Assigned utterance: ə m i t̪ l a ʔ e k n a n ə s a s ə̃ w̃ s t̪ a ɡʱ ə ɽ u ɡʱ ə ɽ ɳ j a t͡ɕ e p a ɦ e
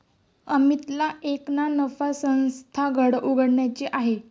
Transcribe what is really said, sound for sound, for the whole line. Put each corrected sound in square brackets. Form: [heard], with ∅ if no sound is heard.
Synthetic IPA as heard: ə m i t̪ l a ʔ e k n a n ə [f] a s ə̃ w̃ s [t̪ʰ] a ɡʱ ə ɽ u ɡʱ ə ɽ ɳ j a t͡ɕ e [ʔ] a ɦ e